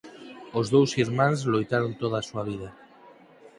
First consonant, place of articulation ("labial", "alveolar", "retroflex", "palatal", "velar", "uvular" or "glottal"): alveolar